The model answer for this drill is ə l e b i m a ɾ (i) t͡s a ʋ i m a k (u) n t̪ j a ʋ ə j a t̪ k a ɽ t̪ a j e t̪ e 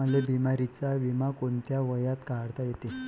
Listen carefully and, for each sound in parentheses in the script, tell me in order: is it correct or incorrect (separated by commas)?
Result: correct, incorrect